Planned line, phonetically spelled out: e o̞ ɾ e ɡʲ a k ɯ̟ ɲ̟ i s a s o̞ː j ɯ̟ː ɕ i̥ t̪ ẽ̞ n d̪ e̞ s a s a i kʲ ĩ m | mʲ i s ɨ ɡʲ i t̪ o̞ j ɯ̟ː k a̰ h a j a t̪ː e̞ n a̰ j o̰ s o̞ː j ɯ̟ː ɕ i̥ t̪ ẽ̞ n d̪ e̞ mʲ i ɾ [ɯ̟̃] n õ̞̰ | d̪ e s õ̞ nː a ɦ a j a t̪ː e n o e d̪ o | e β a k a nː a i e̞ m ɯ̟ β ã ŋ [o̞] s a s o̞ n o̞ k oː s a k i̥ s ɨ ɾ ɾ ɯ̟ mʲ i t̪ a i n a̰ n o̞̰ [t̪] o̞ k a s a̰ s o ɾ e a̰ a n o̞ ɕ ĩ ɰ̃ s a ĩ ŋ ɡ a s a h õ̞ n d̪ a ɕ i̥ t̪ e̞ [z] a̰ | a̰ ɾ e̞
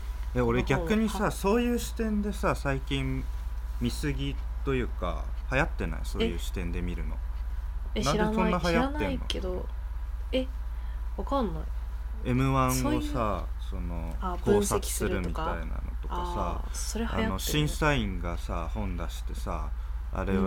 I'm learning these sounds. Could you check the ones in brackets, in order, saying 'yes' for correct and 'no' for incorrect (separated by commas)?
no, yes, yes, no